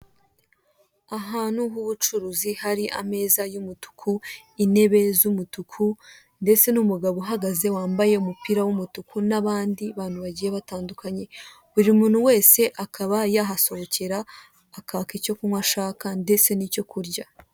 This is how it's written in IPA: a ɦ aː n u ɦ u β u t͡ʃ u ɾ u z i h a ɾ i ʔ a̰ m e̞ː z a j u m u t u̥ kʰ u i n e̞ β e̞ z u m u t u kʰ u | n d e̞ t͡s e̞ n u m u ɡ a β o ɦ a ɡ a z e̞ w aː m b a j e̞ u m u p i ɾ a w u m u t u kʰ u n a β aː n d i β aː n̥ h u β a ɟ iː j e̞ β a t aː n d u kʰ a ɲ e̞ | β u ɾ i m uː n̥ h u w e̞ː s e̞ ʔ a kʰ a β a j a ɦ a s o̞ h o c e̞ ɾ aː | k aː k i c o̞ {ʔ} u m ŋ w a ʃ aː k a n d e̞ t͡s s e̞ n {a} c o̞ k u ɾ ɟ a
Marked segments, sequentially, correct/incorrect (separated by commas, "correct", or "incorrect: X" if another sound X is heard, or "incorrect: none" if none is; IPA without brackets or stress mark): incorrect: k, incorrect: i